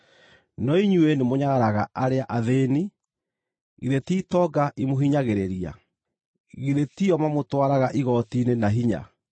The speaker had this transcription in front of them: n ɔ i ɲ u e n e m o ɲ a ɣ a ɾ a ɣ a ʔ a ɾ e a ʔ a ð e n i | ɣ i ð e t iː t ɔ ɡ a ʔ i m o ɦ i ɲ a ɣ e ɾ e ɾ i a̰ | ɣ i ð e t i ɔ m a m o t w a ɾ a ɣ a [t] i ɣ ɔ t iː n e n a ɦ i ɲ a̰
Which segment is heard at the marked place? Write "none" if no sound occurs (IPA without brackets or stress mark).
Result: ʔ